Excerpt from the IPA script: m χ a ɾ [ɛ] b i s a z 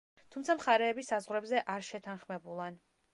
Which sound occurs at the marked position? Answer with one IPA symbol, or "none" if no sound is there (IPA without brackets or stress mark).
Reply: ɛː